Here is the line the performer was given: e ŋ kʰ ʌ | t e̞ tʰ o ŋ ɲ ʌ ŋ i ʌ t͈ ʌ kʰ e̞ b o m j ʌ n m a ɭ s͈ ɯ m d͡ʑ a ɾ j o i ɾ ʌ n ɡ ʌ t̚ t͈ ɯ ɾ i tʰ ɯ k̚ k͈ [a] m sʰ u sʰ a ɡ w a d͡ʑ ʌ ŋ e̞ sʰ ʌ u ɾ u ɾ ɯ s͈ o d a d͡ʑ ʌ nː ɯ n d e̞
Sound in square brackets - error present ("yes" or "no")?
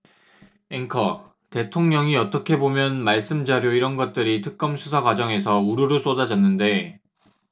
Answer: yes